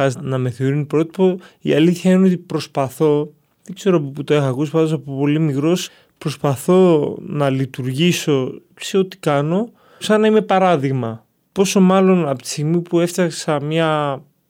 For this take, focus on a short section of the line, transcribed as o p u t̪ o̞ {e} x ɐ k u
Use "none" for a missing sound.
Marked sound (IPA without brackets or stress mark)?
e